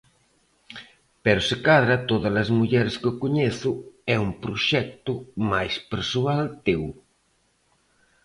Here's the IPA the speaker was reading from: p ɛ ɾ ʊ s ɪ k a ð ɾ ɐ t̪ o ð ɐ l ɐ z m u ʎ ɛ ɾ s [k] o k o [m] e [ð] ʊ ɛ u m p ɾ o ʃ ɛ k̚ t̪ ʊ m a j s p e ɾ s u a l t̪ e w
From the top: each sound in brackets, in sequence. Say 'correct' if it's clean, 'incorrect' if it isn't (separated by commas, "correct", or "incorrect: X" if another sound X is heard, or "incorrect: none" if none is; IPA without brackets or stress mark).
correct, incorrect: ɲ, incorrect: θ